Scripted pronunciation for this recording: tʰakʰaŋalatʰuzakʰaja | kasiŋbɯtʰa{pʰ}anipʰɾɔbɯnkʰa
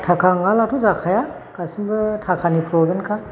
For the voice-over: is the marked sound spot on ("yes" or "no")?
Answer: no